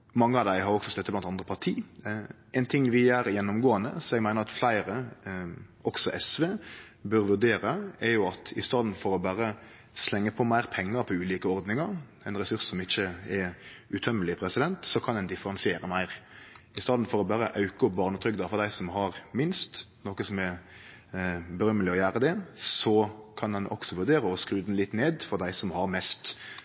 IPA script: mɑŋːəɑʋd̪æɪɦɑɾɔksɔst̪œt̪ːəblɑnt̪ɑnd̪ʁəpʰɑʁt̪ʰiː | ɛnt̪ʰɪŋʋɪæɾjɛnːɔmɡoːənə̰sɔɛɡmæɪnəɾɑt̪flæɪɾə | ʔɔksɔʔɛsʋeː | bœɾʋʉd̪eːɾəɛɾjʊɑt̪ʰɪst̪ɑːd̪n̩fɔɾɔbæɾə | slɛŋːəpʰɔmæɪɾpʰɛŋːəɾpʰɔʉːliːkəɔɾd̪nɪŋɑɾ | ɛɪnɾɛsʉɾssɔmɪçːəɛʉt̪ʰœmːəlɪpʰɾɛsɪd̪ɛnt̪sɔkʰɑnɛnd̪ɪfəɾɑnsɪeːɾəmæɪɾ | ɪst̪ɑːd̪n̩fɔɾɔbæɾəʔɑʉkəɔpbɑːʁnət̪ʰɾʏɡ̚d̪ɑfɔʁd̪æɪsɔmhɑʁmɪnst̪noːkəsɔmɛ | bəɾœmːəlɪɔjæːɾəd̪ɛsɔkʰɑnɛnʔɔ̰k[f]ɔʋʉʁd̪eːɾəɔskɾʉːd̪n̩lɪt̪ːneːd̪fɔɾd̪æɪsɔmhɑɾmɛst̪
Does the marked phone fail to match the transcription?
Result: yes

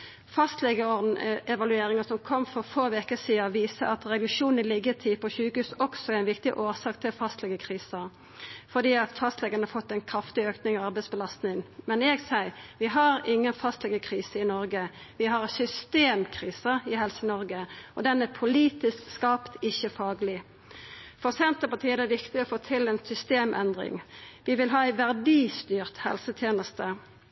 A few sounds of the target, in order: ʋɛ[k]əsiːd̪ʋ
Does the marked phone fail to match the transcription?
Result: no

